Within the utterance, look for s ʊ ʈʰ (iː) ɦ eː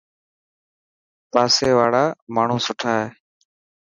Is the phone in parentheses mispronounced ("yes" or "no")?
yes